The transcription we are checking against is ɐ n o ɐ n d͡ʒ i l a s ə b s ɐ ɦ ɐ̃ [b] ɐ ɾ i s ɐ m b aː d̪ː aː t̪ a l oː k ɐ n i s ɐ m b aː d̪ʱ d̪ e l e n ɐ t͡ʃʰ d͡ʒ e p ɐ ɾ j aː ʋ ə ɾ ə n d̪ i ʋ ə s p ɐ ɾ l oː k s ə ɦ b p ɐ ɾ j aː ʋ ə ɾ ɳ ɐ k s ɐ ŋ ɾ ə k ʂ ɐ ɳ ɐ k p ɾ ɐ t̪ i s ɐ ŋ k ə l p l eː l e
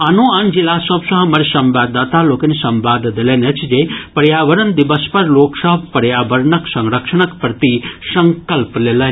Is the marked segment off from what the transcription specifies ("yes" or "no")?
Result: yes